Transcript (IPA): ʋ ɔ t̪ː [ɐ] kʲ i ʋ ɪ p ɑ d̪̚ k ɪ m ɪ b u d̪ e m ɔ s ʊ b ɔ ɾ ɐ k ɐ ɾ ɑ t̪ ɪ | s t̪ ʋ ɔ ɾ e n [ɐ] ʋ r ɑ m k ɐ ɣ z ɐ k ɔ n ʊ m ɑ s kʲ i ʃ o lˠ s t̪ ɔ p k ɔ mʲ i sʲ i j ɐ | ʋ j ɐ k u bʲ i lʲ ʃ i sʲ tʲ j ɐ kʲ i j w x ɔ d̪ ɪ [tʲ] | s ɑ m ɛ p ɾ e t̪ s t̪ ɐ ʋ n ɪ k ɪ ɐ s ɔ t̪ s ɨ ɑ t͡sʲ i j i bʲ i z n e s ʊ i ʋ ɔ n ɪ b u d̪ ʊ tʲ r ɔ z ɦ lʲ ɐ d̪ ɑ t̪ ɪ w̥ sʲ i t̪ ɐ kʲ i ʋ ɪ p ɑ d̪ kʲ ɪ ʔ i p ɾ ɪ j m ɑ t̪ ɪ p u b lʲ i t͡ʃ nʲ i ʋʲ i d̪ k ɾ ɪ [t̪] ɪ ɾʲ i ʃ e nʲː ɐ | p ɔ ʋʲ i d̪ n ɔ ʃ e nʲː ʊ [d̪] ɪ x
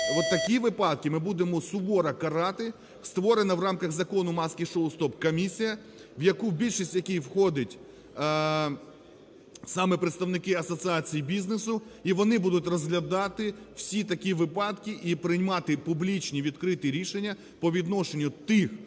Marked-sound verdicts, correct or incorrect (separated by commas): correct, correct, correct, correct, incorrect